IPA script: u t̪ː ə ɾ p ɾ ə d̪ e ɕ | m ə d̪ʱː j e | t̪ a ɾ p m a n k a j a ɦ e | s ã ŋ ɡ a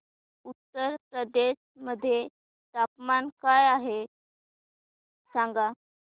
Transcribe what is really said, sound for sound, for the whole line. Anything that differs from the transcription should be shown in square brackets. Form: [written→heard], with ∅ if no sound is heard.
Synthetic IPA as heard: u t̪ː ə ɾ p ɾ ə d̪ e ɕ | m ə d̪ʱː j e | t̪ a [ɾ→∅] p m a n k a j a ɦ e | s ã ŋ ɡ a